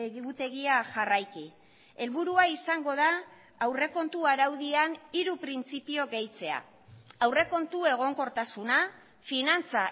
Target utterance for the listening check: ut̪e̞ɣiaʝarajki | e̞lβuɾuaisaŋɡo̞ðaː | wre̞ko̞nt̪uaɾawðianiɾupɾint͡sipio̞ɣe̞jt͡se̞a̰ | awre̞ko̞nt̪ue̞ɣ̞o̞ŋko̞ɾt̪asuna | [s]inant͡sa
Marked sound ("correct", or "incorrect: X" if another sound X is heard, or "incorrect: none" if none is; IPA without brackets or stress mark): incorrect: f